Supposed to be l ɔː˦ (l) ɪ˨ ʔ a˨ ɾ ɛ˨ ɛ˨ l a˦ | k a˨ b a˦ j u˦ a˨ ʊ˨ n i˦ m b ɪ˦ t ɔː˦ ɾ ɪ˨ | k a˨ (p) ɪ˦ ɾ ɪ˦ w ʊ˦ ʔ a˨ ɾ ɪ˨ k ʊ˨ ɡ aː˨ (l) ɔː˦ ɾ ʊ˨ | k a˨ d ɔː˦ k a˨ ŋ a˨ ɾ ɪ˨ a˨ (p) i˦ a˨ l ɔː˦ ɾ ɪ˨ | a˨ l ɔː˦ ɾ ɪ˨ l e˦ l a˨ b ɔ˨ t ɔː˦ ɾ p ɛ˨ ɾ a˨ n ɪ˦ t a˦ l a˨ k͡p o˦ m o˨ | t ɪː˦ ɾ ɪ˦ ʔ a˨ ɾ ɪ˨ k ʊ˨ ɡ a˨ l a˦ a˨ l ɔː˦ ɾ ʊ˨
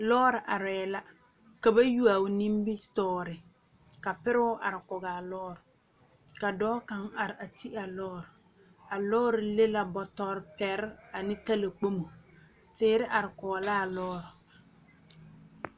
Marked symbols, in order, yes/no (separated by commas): no, yes, yes, no